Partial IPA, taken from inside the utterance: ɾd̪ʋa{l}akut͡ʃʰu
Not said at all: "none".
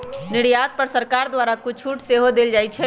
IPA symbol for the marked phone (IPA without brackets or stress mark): ɾ